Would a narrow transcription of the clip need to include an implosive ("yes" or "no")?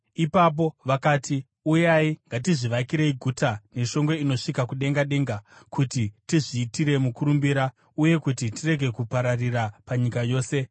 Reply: yes